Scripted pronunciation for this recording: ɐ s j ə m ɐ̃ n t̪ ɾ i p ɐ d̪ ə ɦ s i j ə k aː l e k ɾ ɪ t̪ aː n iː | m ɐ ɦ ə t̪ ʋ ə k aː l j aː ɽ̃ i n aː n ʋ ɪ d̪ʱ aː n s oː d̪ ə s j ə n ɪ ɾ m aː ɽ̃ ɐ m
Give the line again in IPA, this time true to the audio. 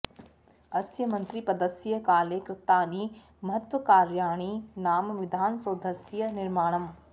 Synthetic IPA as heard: ɐ s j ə m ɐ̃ n t̪ ɾ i p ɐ d̪ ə s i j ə k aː l e k ɾ ɪ t̪ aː n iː | m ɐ ɦ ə t̪ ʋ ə k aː ɾ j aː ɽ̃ i n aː m ʋ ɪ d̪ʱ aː n s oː d̪ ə s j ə n ɪ ɾ m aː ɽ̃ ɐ m